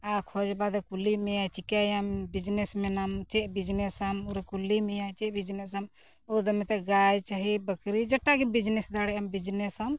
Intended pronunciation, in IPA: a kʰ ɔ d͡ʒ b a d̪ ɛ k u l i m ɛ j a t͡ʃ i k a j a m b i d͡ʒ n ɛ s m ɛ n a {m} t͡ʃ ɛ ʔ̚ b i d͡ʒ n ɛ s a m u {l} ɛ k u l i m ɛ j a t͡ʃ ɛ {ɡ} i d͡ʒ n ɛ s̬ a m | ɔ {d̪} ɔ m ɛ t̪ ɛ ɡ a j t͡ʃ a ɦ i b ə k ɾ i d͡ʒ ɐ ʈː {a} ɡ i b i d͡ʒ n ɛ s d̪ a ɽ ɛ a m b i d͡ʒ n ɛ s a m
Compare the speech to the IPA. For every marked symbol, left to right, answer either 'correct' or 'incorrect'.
correct, incorrect, incorrect, correct, correct

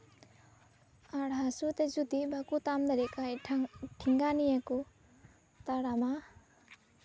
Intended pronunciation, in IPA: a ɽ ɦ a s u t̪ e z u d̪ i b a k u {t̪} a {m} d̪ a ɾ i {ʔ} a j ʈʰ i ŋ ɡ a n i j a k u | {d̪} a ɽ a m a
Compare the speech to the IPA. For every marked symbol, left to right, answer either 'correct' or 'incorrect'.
correct, correct, incorrect, incorrect

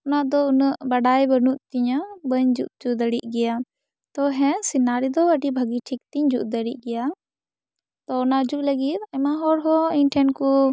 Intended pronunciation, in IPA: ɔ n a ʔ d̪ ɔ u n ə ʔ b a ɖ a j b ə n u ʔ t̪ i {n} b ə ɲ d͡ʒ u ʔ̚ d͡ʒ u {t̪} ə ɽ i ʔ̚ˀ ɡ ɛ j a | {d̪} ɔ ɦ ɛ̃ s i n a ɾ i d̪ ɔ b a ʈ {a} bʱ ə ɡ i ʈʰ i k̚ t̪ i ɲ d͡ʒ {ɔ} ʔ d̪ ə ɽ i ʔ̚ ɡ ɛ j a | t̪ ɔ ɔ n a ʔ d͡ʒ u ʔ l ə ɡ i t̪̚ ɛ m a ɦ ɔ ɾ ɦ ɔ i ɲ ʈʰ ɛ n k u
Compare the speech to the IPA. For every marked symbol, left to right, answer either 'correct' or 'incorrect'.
incorrect, incorrect, incorrect, incorrect, incorrect

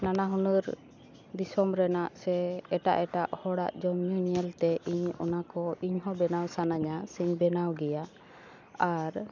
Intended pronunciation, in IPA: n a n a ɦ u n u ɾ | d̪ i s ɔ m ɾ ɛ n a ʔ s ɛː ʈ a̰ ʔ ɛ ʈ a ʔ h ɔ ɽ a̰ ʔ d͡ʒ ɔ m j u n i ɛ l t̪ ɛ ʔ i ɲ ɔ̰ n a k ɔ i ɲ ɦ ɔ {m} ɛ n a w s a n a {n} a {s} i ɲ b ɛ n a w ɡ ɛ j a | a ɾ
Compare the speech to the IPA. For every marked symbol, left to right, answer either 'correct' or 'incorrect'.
incorrect, incorrect, correct

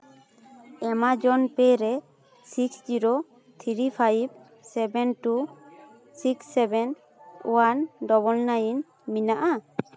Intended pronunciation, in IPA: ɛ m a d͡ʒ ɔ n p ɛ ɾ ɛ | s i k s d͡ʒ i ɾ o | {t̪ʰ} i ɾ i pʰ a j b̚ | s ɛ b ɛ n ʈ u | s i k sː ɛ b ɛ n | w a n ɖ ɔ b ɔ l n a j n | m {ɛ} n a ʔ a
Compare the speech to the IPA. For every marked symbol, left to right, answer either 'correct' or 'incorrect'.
correct, incorrect

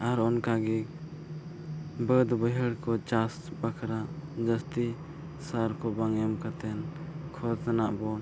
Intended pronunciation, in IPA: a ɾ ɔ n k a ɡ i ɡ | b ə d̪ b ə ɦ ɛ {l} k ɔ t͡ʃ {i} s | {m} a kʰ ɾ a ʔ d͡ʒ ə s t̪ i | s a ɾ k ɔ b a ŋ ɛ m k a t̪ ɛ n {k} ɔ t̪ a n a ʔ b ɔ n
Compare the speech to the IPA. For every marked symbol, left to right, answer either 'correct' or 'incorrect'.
incorrect, incorrect, incorrect, incorrect

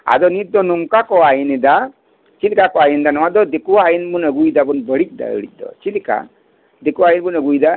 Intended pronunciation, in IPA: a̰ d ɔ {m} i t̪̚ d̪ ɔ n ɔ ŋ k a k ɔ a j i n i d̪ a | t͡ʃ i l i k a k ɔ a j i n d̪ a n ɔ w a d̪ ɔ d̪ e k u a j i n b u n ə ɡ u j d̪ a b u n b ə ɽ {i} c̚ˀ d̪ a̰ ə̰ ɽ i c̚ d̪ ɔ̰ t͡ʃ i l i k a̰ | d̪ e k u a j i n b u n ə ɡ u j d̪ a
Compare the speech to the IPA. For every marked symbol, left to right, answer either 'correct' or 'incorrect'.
incorrect, correct

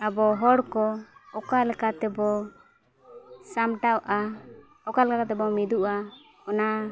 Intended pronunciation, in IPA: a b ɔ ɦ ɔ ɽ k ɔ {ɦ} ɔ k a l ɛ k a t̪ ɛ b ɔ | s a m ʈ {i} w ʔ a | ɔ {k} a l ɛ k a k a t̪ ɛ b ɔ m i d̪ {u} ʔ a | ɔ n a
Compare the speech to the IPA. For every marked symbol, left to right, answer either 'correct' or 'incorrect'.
incorrect, incorrect, correct, correct

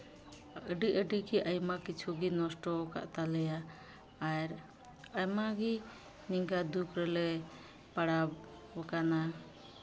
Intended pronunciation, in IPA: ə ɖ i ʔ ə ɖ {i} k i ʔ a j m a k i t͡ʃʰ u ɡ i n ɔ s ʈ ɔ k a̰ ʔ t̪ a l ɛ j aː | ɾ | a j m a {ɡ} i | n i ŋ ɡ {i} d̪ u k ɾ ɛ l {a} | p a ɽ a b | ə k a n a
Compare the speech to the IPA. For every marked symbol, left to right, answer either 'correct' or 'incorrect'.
correct, correct, incorrect, incorrect

